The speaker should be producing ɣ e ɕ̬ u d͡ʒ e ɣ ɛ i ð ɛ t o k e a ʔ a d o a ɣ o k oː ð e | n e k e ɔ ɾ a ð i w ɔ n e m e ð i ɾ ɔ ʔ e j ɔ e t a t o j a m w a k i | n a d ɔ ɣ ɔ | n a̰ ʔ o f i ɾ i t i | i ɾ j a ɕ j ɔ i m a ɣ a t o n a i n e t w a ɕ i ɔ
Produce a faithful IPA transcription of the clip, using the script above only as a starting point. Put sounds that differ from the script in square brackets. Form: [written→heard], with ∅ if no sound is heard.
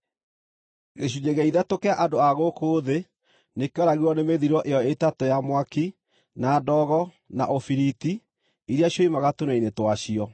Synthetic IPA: ɣ e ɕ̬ u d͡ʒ e ɣ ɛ i ð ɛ t o k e a ʔ a d o a ɣ o k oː ð e | n e k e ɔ ɾ a [ð→ɣ] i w ɔ n e m e ð i ɾ ɔ ʔ e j ɔ e t a t o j a m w a k i | n a d ɔ ɣ ɔ | n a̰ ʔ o f i ɾ i t i | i ɾ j a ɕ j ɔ i m a ɣ a t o n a i n e t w a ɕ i ɔ

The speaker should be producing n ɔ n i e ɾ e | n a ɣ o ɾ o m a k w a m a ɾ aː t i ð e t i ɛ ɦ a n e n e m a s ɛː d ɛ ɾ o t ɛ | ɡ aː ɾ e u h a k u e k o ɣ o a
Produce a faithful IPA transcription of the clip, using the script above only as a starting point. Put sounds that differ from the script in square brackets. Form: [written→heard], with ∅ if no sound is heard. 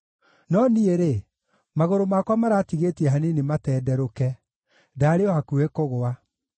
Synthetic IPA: n ɔ n i e ɾ e | [n→m] a ɣ o ɾ o m a k w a m a ɾ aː t i [ð→ɣ] e t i ɛ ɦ a n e n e m a [s→t] ɛː d ɛ ɾ o [t→k] ɛ | [ɡ→d] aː ɾ e [u→ɔ] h a k u e k o ɣ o a

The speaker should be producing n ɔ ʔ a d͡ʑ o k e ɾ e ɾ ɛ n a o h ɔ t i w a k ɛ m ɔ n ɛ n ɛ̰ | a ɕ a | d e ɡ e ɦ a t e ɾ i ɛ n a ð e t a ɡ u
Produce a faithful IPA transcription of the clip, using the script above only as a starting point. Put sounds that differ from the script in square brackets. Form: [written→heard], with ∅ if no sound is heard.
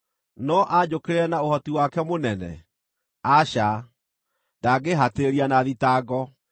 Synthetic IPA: n ɔ ʔ a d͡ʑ o k e ɾ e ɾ ɛ n a o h ɔ t i w a k ɛ m [ɔ→o] n ɛ n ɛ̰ | a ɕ a | d [e→a] ɡ e ɦ a t e ɾ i [ɛ→a] n a ð [e→i] t a ɡ [u→ɔ]

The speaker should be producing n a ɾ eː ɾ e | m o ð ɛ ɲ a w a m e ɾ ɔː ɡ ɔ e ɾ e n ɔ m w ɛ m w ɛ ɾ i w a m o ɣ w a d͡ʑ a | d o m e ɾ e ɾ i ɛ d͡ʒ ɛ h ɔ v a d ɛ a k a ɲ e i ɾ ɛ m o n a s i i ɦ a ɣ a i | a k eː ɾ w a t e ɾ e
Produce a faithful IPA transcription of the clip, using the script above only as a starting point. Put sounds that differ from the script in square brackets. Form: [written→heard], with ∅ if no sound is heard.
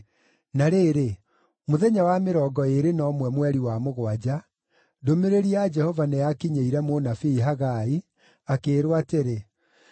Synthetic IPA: n a ɾ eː ɾ e | m o ð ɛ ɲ a w a m e ɾ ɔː ɡ ɔ e ɾ e n ɔ m w ɛ m w ɛ ɾ i w a m o ɣ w a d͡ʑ a | d o m e ɾ e ɾ i [ɛ→a] d͡ʒ ɛ h ɔ v a [d→n] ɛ a k [a→i] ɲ e i ɾ ɛ m o n a [s→f] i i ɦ a ɣ a i | a k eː ɾ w a t e ɾ e

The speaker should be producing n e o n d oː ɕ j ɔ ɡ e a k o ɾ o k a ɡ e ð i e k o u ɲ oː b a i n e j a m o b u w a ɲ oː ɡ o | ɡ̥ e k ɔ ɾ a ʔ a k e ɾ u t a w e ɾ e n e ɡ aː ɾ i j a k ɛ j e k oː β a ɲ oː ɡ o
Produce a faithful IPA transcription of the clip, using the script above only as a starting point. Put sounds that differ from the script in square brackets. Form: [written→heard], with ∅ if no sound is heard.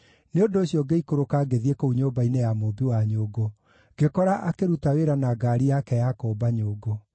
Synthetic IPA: n e o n d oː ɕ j ɔ ɡ e [a→i] k o ɾ o k a ɡ e ð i e k o u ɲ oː b a i n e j a m o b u w a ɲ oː ɡ o | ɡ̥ e k ɔ ɾ a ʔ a k e ɾ u t a w e ɾ [e→a] n [e→a] ɡ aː ɾ i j a k ɛ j [e→a] k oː [β→b] a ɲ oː ɡ o

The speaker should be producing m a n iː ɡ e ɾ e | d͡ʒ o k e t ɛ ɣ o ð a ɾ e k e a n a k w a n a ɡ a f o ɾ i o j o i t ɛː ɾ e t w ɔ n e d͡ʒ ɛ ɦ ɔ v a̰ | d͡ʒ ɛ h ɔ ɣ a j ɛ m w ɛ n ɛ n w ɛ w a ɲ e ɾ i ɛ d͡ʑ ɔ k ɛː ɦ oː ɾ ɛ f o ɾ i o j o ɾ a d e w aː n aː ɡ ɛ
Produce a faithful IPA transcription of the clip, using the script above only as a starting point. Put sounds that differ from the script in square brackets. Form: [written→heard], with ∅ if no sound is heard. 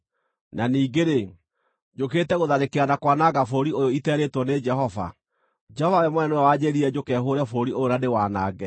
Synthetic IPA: [m→n] a n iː ɡ e ɾ e | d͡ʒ o k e t ɛ ɣ o ð a ɾ e k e a n a k w a n a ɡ a f o ɾ i o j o i t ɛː ɾ e t w ɔ n e d͡ʒ ɛ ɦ ɔ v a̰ | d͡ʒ ɛ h ɔ [ɣ→v] a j ɛ m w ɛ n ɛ n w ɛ w a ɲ e ɾ i ɛ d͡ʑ [ɔ→o] k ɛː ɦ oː ɾ ɛ f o ɾ i o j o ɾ a d e w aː n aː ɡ ɛ

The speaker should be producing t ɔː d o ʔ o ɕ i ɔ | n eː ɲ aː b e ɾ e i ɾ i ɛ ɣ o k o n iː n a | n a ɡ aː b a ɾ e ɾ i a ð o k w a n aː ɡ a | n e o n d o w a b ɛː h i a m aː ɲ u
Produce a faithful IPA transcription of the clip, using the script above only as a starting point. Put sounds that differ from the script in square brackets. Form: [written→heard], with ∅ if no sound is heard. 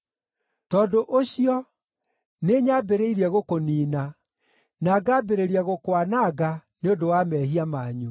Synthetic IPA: t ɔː d o ʔ o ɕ i ɔ | n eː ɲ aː b e ɾ e i ɾ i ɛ ɣ o k o n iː n a | n a ɡ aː b [a→e] ɾ e ɾ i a [ð→ɣ] o k w a n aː ɡ a | n e o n d o w a [b→m] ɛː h i a m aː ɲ u

